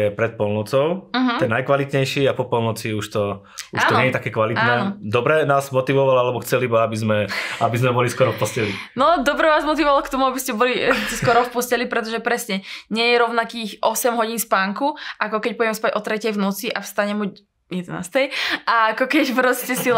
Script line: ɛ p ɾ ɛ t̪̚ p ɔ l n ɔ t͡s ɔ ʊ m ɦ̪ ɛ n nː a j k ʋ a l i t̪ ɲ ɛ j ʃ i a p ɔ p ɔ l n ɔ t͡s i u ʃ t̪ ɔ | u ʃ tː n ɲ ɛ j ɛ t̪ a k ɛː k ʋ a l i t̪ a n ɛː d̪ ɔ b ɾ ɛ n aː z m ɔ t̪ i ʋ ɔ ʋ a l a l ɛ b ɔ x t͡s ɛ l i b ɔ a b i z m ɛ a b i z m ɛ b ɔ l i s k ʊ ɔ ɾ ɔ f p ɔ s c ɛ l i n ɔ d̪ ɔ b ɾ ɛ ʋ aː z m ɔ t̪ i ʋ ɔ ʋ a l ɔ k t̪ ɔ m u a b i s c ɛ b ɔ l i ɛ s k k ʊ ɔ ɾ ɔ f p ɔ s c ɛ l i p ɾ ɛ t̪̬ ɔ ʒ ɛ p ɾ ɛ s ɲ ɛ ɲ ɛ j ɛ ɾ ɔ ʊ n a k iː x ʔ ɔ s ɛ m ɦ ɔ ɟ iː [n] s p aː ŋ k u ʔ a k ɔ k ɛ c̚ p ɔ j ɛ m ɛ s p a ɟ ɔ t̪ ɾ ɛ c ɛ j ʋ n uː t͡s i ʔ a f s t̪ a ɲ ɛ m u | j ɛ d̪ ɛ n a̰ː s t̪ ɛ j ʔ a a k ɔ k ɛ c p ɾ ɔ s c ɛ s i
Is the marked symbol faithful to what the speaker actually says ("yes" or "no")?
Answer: yes